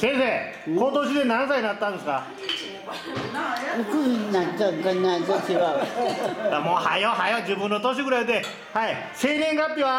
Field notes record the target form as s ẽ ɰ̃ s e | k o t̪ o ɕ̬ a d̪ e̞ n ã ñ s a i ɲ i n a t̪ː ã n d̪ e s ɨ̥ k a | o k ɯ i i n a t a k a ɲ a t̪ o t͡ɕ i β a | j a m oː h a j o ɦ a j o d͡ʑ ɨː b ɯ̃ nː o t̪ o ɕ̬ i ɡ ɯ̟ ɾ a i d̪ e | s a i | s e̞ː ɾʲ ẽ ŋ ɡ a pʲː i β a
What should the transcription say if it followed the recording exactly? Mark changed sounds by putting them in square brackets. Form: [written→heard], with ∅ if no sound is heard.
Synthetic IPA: s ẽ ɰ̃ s e | k o t̪ o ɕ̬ [a→i] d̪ e̞ n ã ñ s a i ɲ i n a t̪ː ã n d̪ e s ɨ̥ k a | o k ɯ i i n a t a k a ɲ a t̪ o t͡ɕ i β a | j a m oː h a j o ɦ a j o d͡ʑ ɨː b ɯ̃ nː o t̪ o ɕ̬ i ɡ ɯ̟ ɾ a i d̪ e | [s→h] a i | s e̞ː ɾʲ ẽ ŋ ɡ a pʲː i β a